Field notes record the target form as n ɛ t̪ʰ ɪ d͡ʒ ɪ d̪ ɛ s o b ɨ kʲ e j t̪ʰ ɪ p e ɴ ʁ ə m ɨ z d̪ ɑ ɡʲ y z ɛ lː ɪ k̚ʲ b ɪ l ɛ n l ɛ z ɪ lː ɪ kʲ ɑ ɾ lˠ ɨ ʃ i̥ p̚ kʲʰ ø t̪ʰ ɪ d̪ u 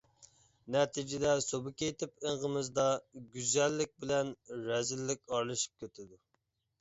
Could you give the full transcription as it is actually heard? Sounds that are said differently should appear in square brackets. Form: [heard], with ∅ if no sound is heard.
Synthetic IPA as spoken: n ɛ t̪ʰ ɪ d͡ʒ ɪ d̪ ɛ s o b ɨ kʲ e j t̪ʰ ɪ p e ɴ ʁ ə m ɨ z d̪ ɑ ɡʲ y z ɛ lː ɪ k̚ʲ b ɪ l ɛ n [ɾ] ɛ z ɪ lː ɪ kʲ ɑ ɾ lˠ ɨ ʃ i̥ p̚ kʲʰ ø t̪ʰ ɪ d̪ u